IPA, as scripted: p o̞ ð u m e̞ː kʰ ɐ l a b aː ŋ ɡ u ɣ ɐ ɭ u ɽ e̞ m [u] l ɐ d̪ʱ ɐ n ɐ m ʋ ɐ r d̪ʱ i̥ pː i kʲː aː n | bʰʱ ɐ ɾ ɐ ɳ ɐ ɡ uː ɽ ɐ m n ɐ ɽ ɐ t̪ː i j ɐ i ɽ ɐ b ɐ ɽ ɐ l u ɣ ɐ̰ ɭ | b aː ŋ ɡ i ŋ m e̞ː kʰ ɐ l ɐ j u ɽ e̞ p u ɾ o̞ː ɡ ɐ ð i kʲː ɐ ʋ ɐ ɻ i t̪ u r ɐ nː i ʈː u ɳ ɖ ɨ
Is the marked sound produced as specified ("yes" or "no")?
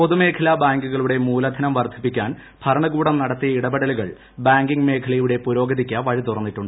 no